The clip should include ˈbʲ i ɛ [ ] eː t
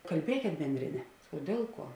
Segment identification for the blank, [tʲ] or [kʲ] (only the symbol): kʲ